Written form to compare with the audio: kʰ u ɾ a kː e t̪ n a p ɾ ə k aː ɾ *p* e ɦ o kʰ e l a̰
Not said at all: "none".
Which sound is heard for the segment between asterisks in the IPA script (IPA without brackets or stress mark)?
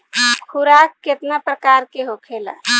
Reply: k